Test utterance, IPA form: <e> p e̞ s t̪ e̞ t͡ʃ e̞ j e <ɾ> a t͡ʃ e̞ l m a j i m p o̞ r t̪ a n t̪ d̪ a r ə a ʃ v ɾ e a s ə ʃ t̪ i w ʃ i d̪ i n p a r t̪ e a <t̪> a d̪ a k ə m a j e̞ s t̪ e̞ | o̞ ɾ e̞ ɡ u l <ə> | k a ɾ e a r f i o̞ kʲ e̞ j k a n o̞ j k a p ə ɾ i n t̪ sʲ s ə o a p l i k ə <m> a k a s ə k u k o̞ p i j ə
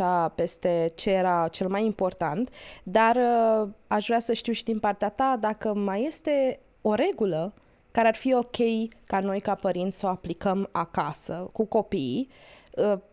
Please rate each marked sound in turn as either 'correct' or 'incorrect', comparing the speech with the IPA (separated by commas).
incorrect, correct, correct, correct, correct